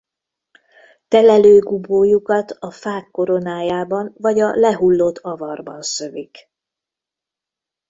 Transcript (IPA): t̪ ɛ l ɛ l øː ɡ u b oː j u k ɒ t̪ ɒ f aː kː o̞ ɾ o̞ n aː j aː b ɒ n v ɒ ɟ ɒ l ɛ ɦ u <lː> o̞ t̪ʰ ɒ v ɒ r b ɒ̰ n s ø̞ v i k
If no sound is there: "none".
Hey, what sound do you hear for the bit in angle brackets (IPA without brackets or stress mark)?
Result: lː